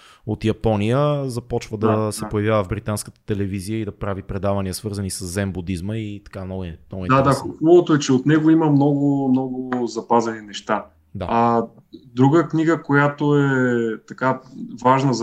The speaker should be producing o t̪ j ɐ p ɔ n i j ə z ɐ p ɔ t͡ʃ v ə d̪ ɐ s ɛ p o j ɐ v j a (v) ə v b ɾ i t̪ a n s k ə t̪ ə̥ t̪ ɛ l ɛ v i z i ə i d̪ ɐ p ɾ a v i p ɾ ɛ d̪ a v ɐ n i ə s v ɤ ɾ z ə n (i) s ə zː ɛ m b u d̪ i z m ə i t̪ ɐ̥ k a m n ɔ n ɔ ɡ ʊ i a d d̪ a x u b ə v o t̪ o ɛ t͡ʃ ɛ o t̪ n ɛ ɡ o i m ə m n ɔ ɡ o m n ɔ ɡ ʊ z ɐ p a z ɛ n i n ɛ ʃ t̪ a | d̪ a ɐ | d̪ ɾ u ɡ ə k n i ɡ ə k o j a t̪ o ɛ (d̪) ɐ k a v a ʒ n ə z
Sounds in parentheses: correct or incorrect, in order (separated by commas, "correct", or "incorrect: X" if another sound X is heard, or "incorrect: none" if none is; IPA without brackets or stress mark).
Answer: correct, correct, incorrect: t̪